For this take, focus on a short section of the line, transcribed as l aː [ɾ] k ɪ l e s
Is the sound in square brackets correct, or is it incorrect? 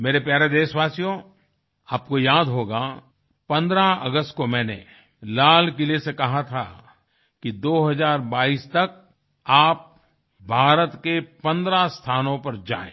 incorrect